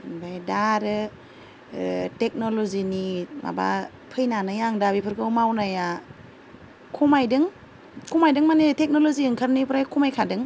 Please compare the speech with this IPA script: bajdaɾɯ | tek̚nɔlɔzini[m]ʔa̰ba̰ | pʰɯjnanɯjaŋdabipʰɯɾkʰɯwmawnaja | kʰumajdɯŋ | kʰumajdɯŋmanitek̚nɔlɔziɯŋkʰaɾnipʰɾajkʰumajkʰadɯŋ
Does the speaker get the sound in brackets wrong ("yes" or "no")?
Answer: no